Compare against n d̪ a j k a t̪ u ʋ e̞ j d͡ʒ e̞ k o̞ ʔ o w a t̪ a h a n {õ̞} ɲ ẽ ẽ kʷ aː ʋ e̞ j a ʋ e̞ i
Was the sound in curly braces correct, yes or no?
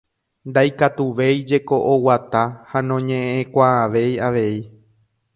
yes